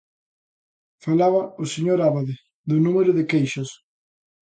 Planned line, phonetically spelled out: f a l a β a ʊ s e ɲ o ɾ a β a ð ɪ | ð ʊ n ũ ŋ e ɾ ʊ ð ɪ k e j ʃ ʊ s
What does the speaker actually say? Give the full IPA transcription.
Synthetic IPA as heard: f a l a β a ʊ s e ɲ o ɾ a β a ð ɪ | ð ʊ n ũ m e ɾ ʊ ð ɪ k e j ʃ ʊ s